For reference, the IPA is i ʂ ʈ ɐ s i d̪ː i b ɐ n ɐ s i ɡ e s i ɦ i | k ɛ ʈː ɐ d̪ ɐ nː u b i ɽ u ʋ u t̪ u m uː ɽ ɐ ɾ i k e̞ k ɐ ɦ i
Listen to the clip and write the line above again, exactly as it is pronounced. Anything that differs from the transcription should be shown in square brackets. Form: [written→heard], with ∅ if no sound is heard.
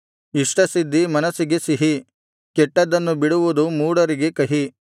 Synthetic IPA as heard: i ʂ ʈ ɐ s i d̪ː i [b→m] ɐ n ɐ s i ɡ e s i ɦ i | k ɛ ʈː ɐ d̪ ɐ nː u b i ɽ u ʋ u [t̪→d̪] u m uː ɽ ɐ ɾ i [k→ɡ] e̞ k ɐ ɦ i